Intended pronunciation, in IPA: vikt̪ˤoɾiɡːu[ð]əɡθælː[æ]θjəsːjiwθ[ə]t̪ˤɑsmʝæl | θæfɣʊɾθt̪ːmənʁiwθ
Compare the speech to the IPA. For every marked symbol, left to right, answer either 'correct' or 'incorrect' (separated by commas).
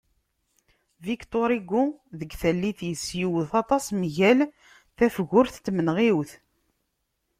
correct, incorrect, incorrect